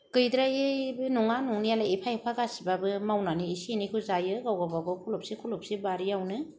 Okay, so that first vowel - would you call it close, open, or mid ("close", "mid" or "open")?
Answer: close